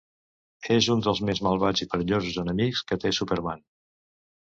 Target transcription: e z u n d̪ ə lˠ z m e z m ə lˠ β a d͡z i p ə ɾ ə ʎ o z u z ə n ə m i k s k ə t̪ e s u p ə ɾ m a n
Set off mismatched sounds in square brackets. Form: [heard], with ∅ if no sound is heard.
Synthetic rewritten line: e z u n d̪ ə lˠ z m e z m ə lˠ β a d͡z i p ə ɾ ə ʎ o z u z ə n ə m i k s k ə t̪ e s u p ə ɾ m a n